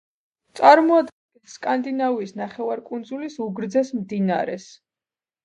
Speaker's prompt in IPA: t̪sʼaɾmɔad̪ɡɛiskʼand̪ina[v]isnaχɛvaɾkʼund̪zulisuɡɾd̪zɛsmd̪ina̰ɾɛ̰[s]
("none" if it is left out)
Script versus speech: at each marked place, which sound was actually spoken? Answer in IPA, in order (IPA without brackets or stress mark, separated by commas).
v, s